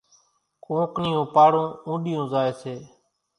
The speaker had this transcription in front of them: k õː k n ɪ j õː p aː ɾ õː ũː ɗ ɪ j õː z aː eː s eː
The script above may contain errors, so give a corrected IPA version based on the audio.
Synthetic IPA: k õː k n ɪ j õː p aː ɽ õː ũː ɗ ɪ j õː z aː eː s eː

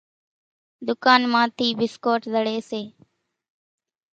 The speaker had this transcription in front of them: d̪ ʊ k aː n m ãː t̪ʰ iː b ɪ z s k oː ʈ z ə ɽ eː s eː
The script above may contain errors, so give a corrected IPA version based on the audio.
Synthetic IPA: d̪ ʊ k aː n m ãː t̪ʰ iː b ɪ s k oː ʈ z ə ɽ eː s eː

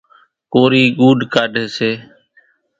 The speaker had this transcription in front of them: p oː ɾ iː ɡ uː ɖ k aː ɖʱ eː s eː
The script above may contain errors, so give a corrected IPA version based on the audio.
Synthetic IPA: k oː ɾ iː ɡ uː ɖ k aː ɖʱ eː s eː

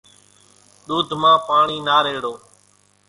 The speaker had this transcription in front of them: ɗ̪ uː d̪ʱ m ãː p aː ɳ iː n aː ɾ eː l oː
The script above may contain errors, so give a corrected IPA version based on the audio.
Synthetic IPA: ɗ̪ uː d̪ʱ m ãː p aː ɳ iː n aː ɾ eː ɽ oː

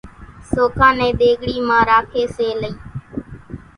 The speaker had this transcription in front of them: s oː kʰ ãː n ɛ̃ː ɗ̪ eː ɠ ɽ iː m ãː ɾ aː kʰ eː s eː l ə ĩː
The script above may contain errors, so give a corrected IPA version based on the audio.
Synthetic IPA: s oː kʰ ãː n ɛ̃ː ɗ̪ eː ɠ ɽ iː m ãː ɾ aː kʰ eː s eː l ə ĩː

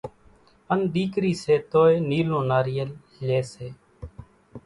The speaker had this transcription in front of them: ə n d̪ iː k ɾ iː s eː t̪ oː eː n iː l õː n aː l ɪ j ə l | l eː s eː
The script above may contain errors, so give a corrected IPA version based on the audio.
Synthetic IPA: ə n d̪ iː k ɾ iː s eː t̪ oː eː n iː l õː n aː ɾ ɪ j ə l | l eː s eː

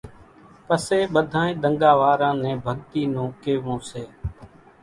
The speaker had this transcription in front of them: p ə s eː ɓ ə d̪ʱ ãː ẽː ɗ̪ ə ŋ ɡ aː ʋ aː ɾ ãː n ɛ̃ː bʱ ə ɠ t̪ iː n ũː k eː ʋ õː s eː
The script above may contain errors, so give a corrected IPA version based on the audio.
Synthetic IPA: p ə s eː ɓ ə d̪ʱ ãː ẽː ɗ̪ ə ŋ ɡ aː ʋ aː ɾ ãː n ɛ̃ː bʱ ə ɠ t̪ iː n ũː k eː ʋ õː s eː

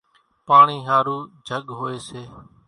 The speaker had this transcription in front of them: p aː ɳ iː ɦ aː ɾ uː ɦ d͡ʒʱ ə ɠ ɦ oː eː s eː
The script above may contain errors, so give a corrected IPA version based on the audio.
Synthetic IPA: p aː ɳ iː ɦ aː ɾ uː d͡ʒʱ ə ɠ ɦ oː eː s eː

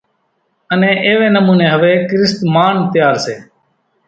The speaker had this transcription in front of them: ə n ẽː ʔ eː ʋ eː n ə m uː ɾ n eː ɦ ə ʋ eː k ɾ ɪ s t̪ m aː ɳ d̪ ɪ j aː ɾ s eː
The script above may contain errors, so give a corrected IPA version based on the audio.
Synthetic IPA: ə n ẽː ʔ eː ʋ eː n ə m uː n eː ɦ ə ʋ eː k ɾ ɪ s t̪ m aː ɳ t̪ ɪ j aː ɾ s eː

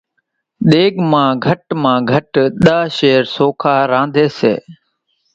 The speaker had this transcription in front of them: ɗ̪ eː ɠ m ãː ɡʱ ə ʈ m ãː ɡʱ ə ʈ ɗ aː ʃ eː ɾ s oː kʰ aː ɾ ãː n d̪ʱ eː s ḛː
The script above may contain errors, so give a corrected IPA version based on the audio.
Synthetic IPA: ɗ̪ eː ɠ m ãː ɡʱ ə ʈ m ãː ɡʱ ə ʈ ɗ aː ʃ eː ɾ s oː kʰ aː ɾ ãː n d̪ʱ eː s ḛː

